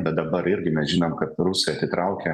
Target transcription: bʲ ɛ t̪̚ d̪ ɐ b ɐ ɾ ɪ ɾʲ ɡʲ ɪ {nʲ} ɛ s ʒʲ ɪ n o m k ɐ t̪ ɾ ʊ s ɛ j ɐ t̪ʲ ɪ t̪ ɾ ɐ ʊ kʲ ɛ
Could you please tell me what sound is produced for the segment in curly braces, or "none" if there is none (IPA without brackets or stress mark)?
mʲ